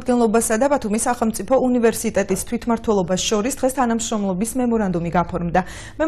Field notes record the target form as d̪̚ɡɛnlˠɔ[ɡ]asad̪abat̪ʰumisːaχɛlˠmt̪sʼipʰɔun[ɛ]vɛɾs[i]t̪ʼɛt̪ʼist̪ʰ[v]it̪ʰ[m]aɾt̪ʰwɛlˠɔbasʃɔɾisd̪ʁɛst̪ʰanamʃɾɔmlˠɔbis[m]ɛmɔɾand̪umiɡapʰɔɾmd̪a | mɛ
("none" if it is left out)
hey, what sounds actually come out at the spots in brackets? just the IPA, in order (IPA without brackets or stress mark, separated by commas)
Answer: b, i, i, w, m, m